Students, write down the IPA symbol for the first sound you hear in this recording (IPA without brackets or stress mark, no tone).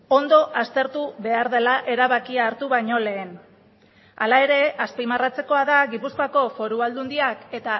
o̞